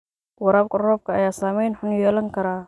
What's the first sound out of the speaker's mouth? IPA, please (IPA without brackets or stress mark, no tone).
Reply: w